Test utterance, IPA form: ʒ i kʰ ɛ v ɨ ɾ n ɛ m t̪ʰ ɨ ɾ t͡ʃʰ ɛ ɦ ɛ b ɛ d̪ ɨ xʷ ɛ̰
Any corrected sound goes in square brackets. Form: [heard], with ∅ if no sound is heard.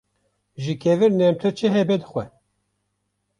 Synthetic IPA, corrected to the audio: ʒ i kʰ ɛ v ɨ ɾ n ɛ m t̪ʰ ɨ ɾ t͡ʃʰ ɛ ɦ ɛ b ɛ d̪ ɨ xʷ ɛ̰